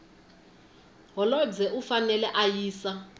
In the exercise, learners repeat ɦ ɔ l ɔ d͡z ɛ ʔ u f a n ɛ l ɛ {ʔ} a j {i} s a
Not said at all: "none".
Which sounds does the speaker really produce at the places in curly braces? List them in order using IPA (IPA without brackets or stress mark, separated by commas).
ʔ, iː